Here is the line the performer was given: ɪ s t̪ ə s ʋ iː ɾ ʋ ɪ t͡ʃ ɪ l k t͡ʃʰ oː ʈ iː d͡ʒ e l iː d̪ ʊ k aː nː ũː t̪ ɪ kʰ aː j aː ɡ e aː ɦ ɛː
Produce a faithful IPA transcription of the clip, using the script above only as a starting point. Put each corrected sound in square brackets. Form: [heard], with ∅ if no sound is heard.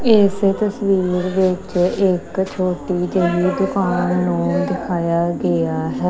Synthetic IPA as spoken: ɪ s t̪ ə s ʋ iː ɾ ʋ ɪ t͡ʃ ɪ [∅] k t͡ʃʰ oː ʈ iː d͡ʒ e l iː d̪ ʊ k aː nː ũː [d̪] ɪ kʰ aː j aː ɡ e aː ɦ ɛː